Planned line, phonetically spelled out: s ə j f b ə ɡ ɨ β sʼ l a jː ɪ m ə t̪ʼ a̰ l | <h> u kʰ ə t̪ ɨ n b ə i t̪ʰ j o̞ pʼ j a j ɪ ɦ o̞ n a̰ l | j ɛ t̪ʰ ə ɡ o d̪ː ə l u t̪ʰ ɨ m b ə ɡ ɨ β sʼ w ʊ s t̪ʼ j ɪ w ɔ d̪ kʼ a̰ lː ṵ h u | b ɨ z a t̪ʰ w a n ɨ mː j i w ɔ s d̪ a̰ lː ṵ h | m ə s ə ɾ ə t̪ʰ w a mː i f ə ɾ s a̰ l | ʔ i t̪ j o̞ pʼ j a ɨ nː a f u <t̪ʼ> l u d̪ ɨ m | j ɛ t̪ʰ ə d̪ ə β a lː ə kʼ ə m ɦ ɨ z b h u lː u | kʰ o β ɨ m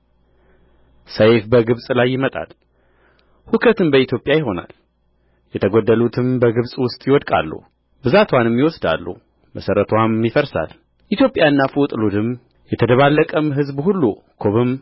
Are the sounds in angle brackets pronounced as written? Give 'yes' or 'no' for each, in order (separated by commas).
yes, yes